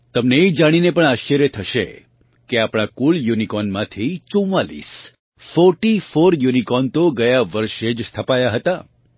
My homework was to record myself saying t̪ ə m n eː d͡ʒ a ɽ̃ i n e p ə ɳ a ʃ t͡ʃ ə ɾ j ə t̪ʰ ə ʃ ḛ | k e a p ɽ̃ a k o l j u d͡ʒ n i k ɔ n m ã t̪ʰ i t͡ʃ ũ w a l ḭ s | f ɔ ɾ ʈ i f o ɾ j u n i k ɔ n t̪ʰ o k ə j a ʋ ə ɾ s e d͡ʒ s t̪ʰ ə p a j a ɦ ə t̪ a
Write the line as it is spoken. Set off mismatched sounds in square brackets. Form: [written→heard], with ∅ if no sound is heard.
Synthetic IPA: t̪ ə m n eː d͡ʒ a ɽ̃ i n e p ə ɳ a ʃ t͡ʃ ə ɾ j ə t̪ʰ ə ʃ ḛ | k e a p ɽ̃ a k [o→u] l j u [d͡ʒ→∅] n i k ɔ n m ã t̪ʰ i t͡ʃ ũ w a l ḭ s | f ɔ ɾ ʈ i f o ɾ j u n i k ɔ n [t̪ʰ→t̪] o [k→ɡ] ə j a ʋ ə ɾ [s→ʃ] e d͡ʒ s t̪ʰ ə p a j a ɦ ə t̪ a

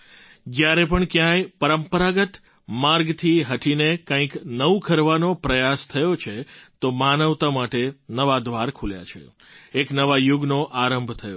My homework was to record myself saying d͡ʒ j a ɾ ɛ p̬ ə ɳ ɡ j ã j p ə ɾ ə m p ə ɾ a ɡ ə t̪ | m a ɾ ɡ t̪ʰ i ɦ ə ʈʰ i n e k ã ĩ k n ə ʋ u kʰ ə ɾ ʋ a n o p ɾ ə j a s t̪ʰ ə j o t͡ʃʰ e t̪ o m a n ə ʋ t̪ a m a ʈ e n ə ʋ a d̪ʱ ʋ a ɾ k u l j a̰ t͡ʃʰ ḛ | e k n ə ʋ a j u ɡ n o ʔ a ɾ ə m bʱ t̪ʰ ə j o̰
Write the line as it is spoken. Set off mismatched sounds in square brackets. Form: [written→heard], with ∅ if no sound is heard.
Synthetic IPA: d͡ʒ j a ɾ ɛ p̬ ə ɳ [ɡ→k] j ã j p ə ɾ ə m p ə ɾ a ɡ ə t̪ | m a ɾ ɡ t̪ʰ i ɦ ə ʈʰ i n e k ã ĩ k n ə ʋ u kʰ ə ɾ ʋ a n o p ɾ ə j a s t̪ʰ ə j o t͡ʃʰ e t̪ o m a n ə ʋ t̪ a m a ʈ e n ə ʋ a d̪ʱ ʋ a ɾ [k→kʰ] u l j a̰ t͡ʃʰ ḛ | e k n ə ʋ a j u ɡ n o ʔ a ɾ ə m bʱ t̪ʰ ə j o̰

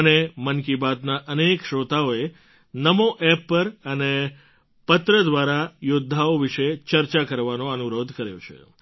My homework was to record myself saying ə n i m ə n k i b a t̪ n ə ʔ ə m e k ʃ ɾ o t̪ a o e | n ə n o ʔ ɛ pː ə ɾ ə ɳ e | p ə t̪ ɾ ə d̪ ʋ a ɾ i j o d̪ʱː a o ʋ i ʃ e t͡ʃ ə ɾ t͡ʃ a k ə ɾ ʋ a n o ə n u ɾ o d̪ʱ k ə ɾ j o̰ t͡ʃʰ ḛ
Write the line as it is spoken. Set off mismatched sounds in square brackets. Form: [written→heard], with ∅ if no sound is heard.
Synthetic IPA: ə n [i→e] m ə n k i b a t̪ n [ə→a] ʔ ə [m→n] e k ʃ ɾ o t̪ a o e | n ə [n→m] o ʔ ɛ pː ə ɾ ə [ɳ→n] e | p ə t̪ ɾ ə d̪ ʋ a ɾ [i→a] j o d̪ʱː a o ʋ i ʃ e t͡ʃ ə ɾ t͡ʃ a k ə ɾ ʋ a n o ə n u ɾ o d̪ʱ k ə ɾ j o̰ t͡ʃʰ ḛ

